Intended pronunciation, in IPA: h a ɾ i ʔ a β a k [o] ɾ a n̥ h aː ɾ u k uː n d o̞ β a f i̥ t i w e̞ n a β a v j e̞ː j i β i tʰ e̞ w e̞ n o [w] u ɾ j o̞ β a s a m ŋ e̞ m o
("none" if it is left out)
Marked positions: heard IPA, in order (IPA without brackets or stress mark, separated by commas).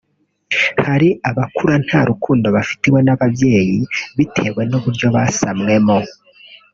u, β